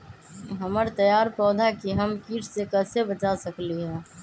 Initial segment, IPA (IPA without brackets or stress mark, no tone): ɦ